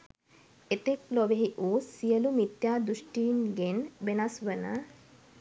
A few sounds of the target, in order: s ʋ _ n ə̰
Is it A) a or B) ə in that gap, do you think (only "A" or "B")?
B